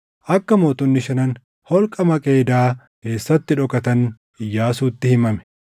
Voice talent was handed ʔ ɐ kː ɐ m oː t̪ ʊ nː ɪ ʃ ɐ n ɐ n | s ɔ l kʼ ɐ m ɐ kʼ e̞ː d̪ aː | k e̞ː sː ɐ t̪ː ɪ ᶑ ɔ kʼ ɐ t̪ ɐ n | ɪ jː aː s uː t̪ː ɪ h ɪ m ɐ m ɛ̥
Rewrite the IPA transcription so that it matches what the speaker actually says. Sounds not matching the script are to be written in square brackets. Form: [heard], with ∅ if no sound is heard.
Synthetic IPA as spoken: ʔ ɐ kː ɐ m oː t̪ ʊ nː ɪ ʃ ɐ n ɐ n | [h] ɔ l kʼ ɐ m ɐ kʼ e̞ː d̪ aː | k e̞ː sː ɐ t̪ː ɪ ᶑ ɔ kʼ ɐ t̪ ɐ n | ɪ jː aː s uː t̪ː ɪ h ɪ m ɐ m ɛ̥